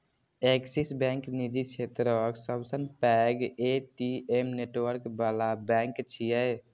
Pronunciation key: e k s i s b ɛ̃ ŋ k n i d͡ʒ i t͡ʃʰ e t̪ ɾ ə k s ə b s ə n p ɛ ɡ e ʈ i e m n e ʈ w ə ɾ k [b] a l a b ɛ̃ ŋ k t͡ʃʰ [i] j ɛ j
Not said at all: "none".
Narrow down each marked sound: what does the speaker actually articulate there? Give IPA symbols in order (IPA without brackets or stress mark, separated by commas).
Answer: b, i